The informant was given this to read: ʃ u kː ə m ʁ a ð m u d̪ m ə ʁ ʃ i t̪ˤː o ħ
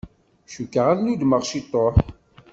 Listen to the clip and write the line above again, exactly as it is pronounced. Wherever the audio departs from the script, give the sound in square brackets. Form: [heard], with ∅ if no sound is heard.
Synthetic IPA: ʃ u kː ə [∅] ʁ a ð [n] u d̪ m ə ʁ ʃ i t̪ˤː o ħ

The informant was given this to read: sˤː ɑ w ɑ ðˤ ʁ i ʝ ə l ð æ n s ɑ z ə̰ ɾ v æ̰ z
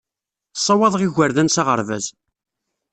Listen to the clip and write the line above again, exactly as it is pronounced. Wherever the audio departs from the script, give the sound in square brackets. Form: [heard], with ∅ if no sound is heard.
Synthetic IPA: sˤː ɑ w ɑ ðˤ ʁ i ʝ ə [ɾ] ð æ n s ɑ [ʁ] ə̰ ɾ v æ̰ z

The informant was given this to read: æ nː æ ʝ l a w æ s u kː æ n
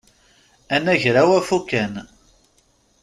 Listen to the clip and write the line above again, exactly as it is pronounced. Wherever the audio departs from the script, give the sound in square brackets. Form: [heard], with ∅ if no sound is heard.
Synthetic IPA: æ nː æ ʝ [ɾ] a w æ [f] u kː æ n

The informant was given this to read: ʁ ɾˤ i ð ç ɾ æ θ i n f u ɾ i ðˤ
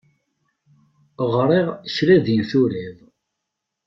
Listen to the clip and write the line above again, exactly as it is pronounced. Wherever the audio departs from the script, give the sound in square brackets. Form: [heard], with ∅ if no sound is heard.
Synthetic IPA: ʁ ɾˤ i [ʁ] ç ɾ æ [ð] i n [θ] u ɾ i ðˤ

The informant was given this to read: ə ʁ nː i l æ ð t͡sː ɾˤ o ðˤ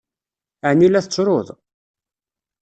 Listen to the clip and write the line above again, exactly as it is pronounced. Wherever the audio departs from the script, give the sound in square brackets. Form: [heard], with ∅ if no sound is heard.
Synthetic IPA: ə [ʕ] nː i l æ [θ] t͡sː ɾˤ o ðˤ

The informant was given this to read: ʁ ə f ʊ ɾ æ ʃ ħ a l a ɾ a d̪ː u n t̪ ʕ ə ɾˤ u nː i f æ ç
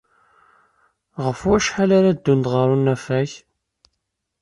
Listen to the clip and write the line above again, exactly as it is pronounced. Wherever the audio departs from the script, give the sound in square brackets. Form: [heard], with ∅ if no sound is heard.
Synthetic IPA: ʁ ə f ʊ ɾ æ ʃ ħ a l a ɾ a d̪ː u n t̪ [ʁ] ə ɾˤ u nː [æ] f æ ç

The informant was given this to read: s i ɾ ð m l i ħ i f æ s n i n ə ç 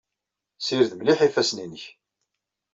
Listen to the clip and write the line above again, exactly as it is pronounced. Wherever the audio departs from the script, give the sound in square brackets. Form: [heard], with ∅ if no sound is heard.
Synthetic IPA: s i ɾ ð m l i ħ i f æ s n i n ə ç

